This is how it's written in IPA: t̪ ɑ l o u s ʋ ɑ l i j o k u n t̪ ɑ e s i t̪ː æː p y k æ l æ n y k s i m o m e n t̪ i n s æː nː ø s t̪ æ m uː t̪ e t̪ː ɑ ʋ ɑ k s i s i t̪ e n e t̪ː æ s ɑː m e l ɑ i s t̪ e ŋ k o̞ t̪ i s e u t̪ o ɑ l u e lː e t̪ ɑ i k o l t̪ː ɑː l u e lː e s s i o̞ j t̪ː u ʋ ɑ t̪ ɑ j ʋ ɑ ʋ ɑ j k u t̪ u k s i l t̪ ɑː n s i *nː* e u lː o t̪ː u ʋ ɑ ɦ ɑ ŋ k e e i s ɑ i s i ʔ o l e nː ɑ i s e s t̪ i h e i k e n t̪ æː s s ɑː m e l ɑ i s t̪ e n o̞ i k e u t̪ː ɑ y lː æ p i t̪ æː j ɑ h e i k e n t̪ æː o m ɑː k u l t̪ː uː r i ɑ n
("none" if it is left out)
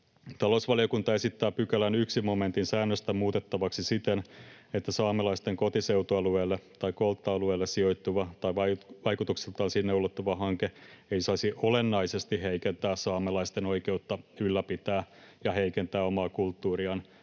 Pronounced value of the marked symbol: nː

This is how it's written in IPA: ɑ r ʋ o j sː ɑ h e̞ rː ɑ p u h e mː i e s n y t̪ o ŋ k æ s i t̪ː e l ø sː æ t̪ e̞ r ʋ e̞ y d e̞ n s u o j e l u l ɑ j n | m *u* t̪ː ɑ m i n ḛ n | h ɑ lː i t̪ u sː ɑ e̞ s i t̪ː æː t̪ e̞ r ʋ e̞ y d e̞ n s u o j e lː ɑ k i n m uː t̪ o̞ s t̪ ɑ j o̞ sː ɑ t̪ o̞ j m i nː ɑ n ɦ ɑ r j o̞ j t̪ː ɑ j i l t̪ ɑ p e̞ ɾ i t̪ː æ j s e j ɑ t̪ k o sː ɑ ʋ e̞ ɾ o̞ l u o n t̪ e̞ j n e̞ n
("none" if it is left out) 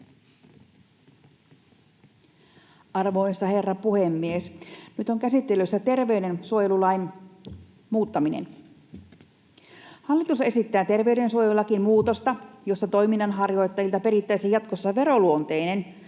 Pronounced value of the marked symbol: uː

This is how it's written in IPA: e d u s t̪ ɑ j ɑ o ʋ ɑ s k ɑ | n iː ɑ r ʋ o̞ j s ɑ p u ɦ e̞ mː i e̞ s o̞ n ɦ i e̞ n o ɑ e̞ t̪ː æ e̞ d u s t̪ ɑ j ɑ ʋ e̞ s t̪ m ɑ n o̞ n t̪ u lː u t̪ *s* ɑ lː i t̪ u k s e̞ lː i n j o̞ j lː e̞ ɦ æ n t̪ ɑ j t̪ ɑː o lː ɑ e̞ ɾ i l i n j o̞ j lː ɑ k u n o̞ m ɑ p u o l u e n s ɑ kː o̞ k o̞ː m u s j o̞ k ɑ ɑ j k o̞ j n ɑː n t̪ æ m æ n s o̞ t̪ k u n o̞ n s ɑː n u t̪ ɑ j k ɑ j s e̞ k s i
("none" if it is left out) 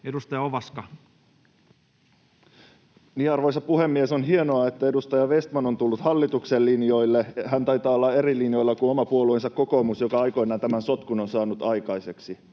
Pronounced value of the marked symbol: h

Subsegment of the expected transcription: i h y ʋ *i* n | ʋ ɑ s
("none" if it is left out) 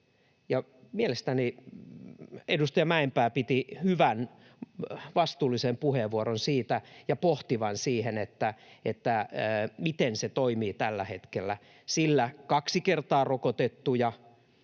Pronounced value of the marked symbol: æ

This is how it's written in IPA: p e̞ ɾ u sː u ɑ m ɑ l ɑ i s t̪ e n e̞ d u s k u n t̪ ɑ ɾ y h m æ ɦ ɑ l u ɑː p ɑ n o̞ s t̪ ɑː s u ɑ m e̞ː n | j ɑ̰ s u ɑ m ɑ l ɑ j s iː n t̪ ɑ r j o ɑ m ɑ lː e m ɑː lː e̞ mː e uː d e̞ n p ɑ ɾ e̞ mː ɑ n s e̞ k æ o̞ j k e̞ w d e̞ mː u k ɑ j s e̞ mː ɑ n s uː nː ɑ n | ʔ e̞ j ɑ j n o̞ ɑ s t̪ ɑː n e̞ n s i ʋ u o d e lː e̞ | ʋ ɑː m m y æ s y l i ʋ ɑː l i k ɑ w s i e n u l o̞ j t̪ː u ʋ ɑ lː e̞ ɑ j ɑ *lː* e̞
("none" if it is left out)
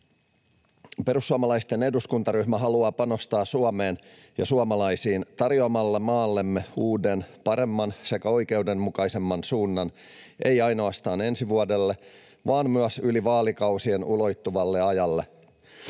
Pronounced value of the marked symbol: lː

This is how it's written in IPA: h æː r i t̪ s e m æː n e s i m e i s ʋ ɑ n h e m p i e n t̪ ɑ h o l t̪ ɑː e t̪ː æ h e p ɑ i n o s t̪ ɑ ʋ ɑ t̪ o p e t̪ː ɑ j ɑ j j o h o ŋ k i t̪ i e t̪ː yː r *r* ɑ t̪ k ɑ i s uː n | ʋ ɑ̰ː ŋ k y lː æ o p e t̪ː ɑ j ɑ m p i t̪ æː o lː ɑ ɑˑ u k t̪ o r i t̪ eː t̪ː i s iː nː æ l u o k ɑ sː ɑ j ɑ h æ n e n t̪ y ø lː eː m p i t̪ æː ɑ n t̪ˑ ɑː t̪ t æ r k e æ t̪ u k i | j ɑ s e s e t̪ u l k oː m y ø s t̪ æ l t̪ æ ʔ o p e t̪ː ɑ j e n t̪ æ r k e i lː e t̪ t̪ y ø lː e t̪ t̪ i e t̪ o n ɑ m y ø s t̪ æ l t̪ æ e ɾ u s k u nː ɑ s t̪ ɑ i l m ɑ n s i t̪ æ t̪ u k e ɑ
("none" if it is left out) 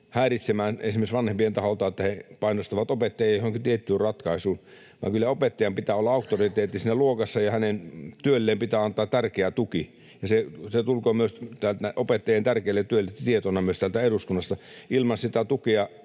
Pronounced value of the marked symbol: r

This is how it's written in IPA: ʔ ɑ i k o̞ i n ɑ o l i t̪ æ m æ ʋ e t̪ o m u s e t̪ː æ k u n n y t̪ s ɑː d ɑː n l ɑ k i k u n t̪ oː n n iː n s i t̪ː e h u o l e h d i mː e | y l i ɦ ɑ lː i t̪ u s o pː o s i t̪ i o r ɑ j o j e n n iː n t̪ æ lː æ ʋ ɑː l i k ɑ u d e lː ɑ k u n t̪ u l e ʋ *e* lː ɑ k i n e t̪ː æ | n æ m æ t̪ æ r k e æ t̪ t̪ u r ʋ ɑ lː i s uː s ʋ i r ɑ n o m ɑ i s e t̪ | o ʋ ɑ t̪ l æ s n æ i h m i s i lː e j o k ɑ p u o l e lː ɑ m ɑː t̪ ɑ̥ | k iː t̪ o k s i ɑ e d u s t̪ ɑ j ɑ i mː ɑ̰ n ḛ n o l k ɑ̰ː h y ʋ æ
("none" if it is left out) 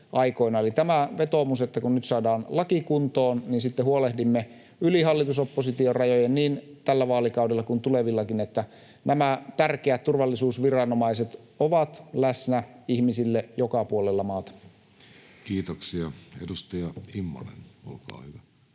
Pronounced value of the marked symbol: i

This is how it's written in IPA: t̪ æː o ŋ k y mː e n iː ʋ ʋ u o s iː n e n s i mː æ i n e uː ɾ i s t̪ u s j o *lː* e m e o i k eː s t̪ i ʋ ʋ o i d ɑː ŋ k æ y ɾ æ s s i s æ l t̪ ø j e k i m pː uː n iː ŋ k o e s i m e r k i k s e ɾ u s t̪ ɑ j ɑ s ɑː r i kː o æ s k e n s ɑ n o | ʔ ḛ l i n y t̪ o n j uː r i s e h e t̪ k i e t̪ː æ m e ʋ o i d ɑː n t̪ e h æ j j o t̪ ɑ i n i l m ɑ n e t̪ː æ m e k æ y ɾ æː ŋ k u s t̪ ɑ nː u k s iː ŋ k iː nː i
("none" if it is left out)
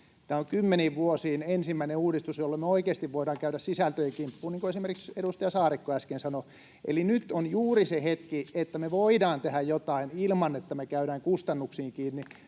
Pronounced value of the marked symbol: lː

